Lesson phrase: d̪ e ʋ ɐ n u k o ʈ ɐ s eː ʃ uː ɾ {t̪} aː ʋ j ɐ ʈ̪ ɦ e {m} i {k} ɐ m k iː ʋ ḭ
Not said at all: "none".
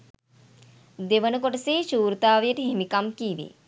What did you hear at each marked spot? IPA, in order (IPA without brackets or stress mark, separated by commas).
t̪, m, k